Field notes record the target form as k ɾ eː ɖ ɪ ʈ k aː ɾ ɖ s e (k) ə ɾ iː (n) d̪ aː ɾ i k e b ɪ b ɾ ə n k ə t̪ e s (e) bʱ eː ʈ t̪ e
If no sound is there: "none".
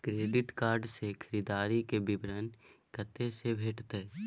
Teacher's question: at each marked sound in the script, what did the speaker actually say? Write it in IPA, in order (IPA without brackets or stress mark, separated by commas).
kʰ, none, e